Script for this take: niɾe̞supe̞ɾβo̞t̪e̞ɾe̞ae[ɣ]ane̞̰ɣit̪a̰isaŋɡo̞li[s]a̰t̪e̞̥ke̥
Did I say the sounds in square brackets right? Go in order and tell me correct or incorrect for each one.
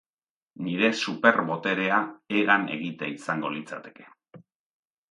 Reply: correct, incorrect: t͡s

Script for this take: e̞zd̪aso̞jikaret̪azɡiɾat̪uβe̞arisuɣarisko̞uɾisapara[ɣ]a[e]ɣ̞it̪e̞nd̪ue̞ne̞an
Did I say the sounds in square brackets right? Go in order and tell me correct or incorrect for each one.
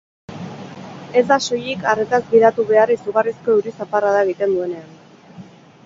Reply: incorrect: ð, correct

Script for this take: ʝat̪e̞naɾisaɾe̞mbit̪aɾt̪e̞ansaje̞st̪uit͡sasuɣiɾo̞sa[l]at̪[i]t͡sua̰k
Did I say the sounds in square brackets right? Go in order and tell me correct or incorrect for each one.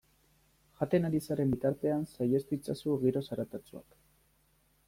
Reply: incorrect: ɾ, incorrect: a

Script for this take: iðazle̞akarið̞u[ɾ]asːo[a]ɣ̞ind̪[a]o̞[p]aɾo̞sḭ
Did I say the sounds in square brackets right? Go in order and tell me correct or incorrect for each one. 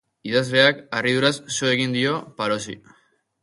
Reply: correct, incorrect: e, incorrect: i, correct

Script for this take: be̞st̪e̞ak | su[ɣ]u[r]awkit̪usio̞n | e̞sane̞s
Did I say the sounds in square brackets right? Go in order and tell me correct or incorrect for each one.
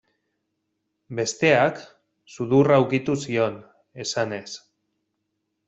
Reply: incorrect: ð, correct

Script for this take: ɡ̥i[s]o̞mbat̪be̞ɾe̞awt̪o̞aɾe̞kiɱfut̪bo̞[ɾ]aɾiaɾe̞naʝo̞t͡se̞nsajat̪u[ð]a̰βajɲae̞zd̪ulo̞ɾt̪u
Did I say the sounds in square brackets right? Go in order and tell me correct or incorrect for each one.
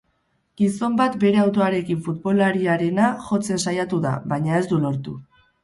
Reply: correct, incorrect: l, correct

